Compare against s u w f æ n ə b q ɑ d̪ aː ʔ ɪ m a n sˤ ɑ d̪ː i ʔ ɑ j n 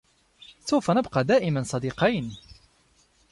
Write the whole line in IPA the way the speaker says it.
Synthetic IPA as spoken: s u w f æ n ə b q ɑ d̪ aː ʔ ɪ m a n sˤ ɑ d̪ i q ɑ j n